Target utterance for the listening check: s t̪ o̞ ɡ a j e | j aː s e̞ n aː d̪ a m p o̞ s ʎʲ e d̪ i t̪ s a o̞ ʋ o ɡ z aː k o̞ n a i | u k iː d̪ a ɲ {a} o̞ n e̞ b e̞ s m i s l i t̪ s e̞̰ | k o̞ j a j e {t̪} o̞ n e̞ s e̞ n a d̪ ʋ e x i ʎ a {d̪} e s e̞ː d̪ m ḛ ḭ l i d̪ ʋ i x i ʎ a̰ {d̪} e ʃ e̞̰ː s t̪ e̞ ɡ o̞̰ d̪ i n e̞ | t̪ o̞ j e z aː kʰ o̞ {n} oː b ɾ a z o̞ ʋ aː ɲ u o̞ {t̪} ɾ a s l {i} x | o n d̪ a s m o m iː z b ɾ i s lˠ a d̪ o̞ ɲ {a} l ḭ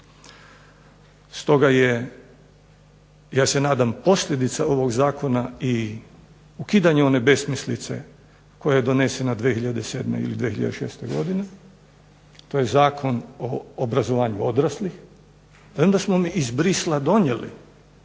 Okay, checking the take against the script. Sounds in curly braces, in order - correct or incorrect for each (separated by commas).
incorrect, incorrect, correct, correct, correct, incorrect, correct, incorrect